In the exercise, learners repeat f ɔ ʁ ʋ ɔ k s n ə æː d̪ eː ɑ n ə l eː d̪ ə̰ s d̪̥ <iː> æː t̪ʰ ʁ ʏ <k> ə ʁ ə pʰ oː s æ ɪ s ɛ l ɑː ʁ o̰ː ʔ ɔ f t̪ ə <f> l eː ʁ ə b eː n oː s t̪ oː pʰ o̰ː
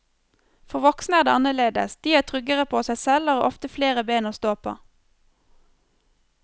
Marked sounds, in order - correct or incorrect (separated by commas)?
correct, incorrect, correct